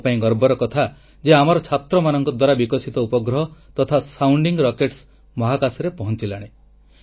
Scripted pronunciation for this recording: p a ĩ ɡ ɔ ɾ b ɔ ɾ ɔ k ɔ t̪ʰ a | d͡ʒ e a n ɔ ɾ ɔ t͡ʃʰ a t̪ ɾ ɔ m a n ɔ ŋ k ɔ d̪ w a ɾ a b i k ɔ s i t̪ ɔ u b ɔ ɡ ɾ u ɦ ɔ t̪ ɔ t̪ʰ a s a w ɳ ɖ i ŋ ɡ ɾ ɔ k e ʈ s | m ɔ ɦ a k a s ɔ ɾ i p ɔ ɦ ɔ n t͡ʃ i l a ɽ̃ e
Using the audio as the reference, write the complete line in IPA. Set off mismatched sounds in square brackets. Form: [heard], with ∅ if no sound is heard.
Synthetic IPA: p a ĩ ɡ ɔ ɾ b ɔ ɾ ɔ k ɔ t̪ʰ a | d͡ʒ e a [m] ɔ ɾ ɔ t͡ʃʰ a t̪ ɾ ɔ m a n ɔ ŋ k ɔ d̪ w a ɾ a b i k ɔ s i t̪ ɔ u [p] ɔ ɡ ɾ [ɔ] ɦ ɔ t̪ ɔ t̪ʰ a s a w ɳ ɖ i ŋ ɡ ɾ ɔ k e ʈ s | m ɔ ɦ a k a s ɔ ɾ [e] p ɔ ɦ ɔ n t͡ʃ i l a ɽ̃ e